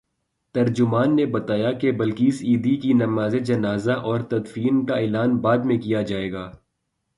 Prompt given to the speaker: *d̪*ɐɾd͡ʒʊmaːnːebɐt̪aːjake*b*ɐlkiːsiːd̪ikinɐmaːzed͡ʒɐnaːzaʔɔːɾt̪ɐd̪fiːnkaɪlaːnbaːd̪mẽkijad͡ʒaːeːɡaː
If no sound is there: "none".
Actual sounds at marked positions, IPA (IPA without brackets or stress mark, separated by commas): t̪, b